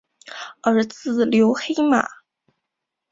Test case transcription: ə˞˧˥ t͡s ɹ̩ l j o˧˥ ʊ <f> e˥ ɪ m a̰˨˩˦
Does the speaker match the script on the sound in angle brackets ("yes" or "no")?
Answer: no